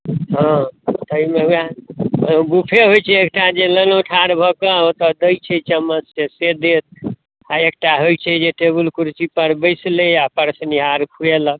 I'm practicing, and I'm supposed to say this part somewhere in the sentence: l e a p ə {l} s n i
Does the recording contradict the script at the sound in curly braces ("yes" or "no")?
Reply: yes